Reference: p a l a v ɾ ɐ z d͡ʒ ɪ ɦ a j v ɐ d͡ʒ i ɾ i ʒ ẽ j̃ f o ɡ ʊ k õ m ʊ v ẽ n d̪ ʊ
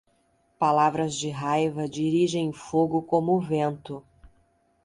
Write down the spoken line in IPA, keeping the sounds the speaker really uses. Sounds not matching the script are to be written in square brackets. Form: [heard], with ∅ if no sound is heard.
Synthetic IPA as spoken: p a l a v ɾ ɐ z d͡ʒ ɪ ɦ a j v ɐ d͡ʒ i ɾ i ʒ ẽ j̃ f o ɡ ʊ k õ m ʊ v ẽ n [t̪] ʊ